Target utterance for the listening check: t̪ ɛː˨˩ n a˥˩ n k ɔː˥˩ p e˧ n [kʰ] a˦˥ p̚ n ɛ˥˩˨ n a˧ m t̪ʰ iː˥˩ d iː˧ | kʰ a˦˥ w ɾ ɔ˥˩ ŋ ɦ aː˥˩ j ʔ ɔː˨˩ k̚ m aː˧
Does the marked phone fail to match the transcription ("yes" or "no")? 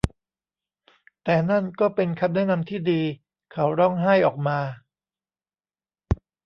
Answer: no